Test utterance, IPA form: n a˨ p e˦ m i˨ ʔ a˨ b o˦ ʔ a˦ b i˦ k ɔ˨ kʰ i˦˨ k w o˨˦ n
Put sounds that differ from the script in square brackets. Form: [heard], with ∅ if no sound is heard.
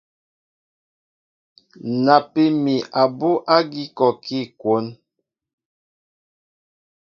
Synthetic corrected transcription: n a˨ p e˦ m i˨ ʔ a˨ b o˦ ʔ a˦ [ɡ] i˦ k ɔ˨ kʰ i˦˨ k w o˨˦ n